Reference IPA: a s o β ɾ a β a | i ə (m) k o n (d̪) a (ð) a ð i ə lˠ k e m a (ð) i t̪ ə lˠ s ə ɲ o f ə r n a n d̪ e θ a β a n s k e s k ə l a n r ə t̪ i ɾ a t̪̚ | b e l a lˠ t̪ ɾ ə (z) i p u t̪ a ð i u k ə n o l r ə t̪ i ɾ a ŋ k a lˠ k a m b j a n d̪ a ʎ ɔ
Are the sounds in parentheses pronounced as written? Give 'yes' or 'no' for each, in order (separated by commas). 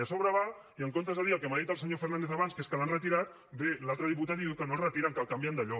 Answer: no, no, no, yes, no